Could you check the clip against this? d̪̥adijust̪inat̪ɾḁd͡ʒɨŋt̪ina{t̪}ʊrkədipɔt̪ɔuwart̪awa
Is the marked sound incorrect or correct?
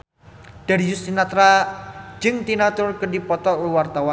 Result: correct